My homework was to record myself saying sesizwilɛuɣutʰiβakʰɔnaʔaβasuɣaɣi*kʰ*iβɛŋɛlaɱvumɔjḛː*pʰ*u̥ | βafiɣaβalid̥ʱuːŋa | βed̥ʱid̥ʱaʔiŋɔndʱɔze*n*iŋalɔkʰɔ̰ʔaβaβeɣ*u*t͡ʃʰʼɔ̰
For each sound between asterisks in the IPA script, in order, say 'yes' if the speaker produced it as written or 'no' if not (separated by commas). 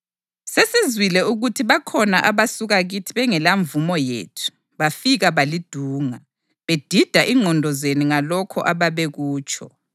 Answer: no, no, yes, no